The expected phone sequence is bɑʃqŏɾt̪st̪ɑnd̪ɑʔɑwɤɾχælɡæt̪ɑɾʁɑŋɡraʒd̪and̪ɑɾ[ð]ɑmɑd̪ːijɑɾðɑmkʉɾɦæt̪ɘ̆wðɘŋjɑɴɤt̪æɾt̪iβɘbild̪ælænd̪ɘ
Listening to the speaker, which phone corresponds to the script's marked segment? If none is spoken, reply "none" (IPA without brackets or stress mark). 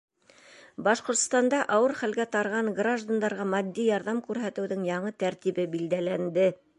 ʁ